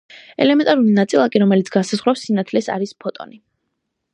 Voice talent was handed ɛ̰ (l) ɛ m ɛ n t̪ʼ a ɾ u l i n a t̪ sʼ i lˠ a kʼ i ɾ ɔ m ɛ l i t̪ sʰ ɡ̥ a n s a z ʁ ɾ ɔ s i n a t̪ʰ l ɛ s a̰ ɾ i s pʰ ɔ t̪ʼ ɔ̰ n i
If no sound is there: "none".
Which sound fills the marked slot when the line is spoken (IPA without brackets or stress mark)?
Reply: l